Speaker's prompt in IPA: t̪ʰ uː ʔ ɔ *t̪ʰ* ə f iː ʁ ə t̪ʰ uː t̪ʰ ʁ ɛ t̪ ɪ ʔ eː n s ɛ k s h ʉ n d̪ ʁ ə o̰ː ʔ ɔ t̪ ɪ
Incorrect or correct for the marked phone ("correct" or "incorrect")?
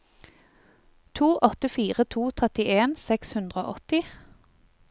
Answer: incorrect